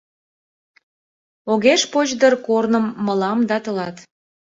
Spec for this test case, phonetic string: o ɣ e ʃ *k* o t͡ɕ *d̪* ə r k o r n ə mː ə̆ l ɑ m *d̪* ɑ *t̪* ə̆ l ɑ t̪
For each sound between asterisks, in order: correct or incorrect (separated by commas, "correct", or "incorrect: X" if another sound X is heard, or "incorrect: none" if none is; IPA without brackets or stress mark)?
incorrect: p, correct, correct, correct